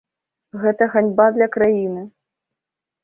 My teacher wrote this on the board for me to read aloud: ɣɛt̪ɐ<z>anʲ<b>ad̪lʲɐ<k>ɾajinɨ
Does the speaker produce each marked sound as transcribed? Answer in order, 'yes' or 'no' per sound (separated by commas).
no, yes, yes